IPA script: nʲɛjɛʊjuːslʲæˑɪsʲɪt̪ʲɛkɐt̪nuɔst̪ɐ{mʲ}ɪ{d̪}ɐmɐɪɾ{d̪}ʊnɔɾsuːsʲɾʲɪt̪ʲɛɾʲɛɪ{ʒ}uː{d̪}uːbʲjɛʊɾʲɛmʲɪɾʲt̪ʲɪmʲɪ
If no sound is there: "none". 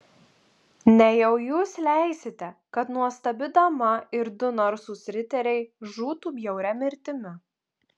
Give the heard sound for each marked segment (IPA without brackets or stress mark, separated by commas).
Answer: bʲ, d̪, d̪, ʒ, t̪